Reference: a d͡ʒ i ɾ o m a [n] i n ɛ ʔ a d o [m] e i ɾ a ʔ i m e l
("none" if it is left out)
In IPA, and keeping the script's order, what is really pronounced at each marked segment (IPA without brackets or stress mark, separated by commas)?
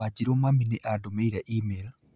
m, m